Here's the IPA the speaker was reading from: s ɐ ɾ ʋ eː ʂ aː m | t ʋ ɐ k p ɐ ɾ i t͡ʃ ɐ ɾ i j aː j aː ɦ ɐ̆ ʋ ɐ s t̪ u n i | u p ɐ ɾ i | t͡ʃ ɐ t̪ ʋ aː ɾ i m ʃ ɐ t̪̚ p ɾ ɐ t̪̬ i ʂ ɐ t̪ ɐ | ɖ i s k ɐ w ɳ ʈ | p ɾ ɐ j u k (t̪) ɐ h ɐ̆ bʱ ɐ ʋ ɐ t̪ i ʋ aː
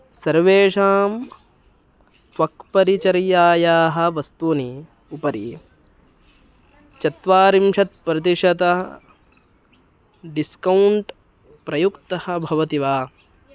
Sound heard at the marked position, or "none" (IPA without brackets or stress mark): t̪